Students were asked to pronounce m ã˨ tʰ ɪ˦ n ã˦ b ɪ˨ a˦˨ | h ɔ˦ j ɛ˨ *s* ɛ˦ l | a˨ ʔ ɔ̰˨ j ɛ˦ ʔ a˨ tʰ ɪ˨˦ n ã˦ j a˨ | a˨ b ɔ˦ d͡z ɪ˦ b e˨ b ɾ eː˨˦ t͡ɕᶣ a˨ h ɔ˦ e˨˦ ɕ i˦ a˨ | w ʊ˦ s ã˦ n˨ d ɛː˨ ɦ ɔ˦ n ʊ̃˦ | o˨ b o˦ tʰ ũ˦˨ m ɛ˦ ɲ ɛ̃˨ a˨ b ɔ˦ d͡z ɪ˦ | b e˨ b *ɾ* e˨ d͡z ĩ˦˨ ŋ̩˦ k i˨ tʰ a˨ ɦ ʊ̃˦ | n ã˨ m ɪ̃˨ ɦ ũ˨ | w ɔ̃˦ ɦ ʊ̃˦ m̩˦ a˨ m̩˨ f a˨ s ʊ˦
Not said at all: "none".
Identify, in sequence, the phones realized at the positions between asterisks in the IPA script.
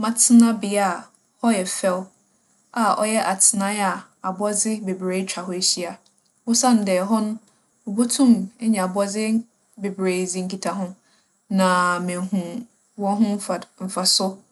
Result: f, ɾ

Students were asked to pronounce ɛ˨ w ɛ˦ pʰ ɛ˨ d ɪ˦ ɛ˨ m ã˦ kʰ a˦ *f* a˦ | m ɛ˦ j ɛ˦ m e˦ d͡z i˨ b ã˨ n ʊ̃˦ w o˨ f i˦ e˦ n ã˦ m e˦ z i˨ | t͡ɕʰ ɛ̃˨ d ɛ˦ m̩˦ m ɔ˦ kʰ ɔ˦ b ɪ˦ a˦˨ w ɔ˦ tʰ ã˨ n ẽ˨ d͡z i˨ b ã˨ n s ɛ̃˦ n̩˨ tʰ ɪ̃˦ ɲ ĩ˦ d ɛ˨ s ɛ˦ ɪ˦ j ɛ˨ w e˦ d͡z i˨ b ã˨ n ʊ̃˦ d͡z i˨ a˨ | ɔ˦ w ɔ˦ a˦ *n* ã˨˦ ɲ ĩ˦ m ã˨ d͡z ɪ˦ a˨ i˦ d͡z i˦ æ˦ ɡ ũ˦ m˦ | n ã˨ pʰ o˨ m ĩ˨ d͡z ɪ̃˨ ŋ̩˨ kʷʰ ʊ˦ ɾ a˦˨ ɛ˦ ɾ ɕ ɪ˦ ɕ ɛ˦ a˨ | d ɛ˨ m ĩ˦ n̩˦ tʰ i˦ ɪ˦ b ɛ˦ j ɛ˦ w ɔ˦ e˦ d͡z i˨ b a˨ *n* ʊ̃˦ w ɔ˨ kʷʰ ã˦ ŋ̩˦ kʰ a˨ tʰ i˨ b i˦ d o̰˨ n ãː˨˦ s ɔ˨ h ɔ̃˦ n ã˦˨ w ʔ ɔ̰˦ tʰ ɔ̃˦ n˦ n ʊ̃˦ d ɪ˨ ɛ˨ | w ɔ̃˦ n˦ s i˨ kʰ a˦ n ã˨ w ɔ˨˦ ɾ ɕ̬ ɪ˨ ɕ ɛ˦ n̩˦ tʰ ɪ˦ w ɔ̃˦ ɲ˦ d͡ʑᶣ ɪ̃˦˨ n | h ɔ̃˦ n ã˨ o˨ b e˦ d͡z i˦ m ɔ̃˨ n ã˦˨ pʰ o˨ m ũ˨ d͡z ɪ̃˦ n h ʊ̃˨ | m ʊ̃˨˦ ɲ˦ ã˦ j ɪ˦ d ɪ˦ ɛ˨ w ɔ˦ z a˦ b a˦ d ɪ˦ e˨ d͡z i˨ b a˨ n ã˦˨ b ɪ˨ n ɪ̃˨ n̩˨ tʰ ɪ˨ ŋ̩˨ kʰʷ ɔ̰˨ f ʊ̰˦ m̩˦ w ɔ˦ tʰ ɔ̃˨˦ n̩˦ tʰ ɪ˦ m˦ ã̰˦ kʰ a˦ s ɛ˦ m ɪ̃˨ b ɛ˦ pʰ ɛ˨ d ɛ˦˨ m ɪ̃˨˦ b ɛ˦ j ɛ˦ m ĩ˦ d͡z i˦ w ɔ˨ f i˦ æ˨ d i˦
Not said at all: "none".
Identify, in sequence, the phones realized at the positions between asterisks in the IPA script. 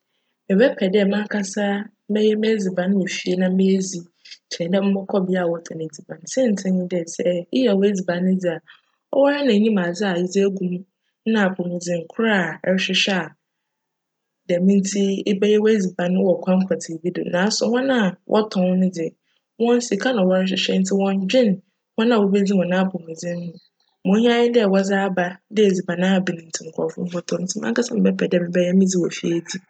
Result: s, n, n

